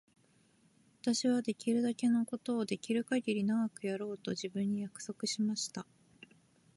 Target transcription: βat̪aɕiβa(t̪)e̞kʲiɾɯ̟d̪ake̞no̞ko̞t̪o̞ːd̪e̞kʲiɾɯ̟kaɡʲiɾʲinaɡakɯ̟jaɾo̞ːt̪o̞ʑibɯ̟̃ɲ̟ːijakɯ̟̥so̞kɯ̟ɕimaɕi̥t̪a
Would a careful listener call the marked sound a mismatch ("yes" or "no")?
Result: yes